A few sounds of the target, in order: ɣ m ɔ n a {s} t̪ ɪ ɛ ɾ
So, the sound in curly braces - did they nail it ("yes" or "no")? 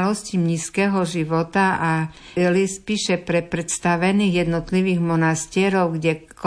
yes